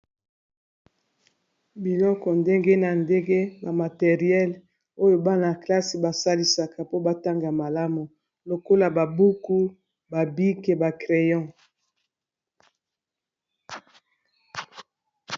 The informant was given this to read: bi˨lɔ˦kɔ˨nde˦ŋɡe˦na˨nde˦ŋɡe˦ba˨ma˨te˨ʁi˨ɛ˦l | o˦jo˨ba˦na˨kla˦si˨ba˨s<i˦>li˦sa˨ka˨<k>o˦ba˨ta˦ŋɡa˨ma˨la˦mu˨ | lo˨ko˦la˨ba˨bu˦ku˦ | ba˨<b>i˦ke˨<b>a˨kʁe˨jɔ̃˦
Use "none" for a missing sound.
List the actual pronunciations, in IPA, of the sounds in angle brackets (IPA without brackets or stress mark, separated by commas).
a˦, p, b, b